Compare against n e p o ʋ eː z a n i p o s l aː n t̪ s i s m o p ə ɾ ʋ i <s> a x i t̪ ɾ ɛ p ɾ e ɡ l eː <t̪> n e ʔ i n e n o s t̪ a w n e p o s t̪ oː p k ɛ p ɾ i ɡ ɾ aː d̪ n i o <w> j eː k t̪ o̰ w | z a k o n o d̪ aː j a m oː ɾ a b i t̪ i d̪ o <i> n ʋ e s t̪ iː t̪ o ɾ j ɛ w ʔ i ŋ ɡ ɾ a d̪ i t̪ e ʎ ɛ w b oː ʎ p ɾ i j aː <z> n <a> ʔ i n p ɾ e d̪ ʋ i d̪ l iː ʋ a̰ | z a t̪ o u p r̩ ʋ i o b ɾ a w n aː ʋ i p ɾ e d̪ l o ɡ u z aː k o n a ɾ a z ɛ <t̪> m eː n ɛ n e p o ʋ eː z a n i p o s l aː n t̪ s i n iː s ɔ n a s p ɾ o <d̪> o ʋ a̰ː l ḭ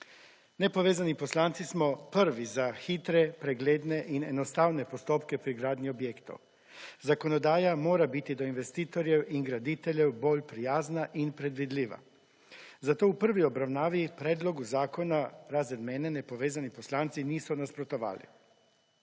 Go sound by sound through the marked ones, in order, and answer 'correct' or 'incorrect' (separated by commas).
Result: incorrect, incorrect, incorrect, correct, correct, correct, incorrect, incorrect